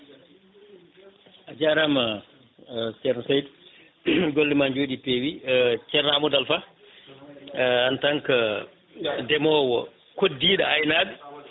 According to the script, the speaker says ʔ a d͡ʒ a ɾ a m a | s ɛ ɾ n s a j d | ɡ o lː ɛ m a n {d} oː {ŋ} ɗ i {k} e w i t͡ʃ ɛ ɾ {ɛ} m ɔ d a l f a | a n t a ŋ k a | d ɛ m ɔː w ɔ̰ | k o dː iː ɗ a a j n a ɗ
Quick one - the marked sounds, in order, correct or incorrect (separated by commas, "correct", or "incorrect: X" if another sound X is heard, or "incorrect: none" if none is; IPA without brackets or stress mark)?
incorrect: d͡ʒ, incorrect: none, incorrect: p, incorrect: a